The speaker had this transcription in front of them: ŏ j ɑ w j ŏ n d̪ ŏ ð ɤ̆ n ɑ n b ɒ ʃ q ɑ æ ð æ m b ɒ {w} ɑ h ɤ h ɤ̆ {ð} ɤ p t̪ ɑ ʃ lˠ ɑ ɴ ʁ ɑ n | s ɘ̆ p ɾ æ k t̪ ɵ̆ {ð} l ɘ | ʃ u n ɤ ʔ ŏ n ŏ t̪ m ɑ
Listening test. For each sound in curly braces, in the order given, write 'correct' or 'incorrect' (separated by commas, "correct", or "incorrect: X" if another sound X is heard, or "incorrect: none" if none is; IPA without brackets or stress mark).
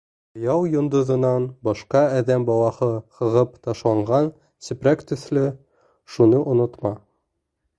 correct, incorrect: ʁ, incorrect: θ